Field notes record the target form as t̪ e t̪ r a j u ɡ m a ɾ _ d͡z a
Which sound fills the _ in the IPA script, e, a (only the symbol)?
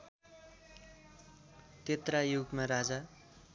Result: a